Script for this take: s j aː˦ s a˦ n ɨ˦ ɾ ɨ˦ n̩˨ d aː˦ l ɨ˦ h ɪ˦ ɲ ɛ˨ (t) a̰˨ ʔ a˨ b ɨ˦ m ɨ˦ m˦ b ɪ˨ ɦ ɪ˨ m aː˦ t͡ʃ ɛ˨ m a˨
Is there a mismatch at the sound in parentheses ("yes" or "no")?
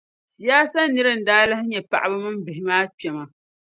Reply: yes